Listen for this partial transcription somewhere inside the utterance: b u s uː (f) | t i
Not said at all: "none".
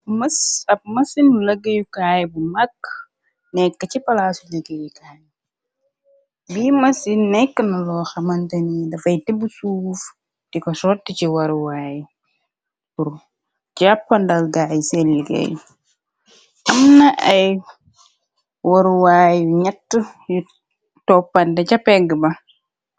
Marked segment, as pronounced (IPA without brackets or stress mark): f